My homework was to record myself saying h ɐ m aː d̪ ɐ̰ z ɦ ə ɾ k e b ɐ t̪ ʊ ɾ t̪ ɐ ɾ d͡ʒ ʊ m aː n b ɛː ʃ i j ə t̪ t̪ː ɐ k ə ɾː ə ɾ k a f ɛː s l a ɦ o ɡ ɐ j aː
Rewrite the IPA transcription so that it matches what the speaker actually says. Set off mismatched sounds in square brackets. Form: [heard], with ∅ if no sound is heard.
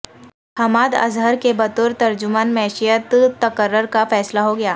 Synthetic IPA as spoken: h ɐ m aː d̪ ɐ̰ z ɦ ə ɾ k e b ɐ t̪ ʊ ɾ t̪ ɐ ɾ d͡ʒ ʊ m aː n [m] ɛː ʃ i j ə t̪ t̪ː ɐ k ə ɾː ə ɾ k a f ɛː s l a ɦ o ɡ ɐ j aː